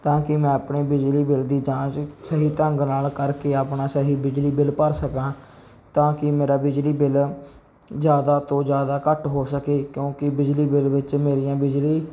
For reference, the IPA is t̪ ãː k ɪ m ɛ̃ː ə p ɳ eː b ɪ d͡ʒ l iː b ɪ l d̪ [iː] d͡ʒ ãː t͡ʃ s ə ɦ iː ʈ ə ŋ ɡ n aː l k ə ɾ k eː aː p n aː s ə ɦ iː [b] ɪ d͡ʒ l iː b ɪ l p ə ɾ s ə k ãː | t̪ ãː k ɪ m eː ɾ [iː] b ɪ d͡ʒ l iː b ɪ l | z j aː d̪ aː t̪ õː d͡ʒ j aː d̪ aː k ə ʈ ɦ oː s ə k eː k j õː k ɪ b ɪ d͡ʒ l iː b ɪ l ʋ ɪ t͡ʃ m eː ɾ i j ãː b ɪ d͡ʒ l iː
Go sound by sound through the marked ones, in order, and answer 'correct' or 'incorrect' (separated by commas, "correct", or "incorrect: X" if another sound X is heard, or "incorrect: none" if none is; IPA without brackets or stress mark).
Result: correct, correct, incorrect: aː